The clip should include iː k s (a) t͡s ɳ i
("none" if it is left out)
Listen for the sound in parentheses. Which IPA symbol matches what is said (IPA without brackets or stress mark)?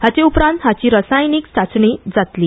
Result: a